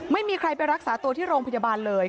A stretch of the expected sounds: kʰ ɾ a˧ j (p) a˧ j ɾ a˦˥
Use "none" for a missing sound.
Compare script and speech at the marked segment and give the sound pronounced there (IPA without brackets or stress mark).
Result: p